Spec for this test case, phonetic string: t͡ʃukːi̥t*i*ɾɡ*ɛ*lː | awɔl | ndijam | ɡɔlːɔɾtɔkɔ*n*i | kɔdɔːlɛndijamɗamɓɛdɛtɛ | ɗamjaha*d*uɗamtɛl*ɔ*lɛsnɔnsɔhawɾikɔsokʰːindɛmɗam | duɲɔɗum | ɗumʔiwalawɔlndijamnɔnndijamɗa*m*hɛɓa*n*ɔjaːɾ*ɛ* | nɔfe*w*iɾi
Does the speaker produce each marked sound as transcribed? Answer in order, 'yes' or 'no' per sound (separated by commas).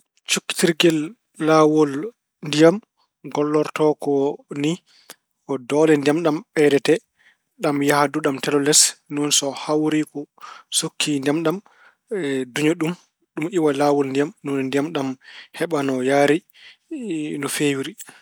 yes, yes, yes, yes, yes, yes, yes, no, yes